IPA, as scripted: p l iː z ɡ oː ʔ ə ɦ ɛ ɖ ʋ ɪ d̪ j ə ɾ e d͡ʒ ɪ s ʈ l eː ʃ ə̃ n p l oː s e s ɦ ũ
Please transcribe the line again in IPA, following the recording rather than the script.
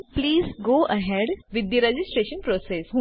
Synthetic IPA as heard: p l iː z ɡ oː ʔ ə ɦ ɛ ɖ ʋ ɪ d̪ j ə ɾ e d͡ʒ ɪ s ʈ ɾ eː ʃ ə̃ n p ɾ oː s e s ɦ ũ

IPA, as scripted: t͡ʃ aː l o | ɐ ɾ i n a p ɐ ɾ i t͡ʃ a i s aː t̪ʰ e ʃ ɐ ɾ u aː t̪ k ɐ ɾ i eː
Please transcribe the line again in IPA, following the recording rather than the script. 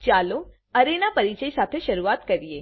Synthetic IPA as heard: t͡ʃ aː l o | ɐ ɾ e n a p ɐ ɾ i t͡ʃ ə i s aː t̪ʰ e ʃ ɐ ɾ u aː t̪ k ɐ ɾ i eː

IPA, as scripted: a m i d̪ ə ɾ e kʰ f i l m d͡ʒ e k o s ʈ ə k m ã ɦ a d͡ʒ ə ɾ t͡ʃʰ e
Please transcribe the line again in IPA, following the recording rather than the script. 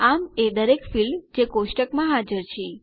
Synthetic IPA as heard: a m e d̪ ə ɾ e k f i l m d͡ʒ e k o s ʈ ə k m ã ɦ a d͡ʒ ə ɾ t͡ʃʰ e

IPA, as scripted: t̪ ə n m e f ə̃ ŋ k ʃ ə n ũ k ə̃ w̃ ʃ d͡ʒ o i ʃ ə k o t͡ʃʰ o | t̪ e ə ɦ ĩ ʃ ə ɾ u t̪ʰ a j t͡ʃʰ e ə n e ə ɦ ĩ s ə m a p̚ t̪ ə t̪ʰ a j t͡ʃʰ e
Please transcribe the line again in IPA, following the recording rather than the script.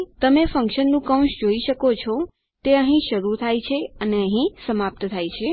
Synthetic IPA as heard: t̪ ə m e f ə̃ ŋ k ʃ ə nː ũ k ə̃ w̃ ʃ d͡ʒ o i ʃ ə k o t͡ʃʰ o | t̪ e ə ɦ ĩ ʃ ə ɾ u t̪ʰ a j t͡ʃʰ e ə n e ə ɦ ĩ s ə m a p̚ t̪ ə t̪ʰ a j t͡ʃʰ e

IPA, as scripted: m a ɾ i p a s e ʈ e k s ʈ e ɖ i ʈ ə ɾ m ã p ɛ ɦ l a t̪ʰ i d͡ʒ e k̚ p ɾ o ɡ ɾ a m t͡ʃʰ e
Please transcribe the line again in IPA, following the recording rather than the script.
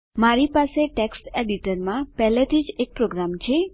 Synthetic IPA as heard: m a ɾ i p a s e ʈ e k s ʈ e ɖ i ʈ ə ɾ m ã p ɛ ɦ l e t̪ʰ i d͡ʒ e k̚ p ɾ o ɡ ɾ a m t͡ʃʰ e

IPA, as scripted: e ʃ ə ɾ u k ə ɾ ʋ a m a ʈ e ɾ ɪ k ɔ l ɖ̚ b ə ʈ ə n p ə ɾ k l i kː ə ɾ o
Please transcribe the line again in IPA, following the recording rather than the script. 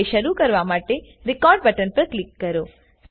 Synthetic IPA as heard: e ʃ ə ɾ u k ə ɾ ʋ a m a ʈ e ɾ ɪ k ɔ ɾ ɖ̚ b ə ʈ ə n p ə ɾ k l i kː ə ɾ o

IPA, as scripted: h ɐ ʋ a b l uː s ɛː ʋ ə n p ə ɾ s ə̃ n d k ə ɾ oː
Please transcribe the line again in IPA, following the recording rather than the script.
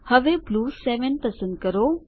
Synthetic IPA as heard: h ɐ ʋ e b l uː s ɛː ʋ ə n p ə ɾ s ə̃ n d k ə ɾ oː

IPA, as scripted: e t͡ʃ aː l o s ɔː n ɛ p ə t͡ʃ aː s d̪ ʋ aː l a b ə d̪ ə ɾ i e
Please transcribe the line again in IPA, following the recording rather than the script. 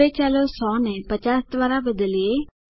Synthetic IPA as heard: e t͡ʃ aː l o s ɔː n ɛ p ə t͡ʃ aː s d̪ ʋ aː ɾ a b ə d̪ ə l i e

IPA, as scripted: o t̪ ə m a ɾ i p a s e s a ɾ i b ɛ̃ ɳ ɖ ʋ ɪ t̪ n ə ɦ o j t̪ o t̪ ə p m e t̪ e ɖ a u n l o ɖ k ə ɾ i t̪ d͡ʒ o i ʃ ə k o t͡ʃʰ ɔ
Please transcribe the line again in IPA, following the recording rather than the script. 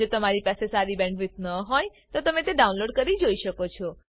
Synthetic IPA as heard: o t̪ ə m a ɾ i p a s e s a ɾ i b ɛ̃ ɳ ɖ ʋ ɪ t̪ n ə ɦ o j t̪ o t̪ ə m e t̪ e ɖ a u n l o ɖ k ə ɾ i d͡ʒ o i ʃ ə k o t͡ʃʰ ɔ

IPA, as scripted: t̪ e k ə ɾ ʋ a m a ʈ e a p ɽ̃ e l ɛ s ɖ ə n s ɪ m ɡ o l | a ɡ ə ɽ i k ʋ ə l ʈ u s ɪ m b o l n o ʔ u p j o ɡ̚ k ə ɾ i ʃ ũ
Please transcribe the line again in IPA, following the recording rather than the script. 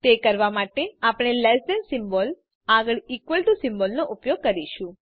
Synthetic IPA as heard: t̪ e k ə ɾ ʋ a m a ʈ e a p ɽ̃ e l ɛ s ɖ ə n s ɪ m b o l | a ɡ ə ɭ i k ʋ ə l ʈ u s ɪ m b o l n o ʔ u p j o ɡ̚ k ə ɾ i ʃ ũ

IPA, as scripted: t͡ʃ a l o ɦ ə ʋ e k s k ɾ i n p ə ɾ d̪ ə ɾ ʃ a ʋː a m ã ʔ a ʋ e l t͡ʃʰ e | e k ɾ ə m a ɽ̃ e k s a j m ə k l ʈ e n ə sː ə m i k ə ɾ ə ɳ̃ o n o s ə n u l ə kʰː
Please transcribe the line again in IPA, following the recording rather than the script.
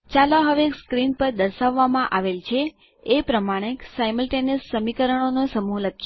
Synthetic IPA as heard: t͡ʃ a l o ɦ ə ʋ e k s k ɾ i n p ə ɾ d̪ ə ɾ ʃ a ʋː a m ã ʔ a ʋ e l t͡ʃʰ e | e p ɾ ə m a ɽ̃ e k s a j m ə l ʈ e n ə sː ə m i k ə ɾ ə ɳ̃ o n o s ə m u l ə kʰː

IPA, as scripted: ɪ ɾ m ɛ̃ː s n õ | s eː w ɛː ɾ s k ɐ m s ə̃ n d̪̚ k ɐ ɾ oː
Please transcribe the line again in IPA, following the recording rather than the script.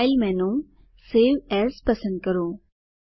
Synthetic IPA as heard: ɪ l m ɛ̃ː n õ | s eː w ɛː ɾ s p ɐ s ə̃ n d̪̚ k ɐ ɾ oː

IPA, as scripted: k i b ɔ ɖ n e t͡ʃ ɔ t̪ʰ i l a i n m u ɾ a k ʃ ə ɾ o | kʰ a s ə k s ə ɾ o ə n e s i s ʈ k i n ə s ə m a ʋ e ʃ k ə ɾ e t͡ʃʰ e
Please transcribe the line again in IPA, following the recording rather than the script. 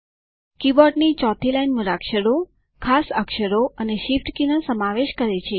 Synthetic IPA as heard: k i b ɔ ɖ n i t͡ʃ ɔ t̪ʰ i l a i n m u ɾ a k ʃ ə ɾ o | kʰ a s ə k ʃ ə ɾ o ə n e ʃ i f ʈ k i n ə s ə m a ʋ e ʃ k ə ɾ e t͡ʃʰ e

